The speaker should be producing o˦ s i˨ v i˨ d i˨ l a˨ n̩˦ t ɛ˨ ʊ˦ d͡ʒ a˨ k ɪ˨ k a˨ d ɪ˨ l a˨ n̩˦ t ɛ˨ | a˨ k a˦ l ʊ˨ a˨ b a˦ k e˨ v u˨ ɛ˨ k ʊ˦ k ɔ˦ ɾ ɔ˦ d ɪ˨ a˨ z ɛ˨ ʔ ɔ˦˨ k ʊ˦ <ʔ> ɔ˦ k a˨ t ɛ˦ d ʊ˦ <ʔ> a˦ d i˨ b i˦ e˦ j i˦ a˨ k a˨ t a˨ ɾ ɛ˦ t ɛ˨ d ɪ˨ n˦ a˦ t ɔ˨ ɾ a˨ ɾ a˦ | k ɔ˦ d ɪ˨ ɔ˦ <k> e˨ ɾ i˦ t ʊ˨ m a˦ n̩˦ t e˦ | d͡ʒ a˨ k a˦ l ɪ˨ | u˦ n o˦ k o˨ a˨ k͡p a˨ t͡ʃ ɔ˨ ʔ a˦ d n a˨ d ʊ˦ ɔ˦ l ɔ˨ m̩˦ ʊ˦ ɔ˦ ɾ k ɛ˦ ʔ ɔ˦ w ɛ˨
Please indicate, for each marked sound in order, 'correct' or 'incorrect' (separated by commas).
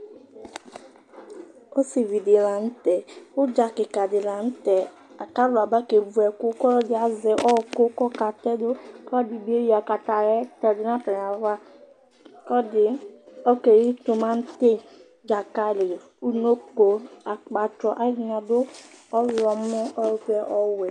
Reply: incorrect, incorrect, correct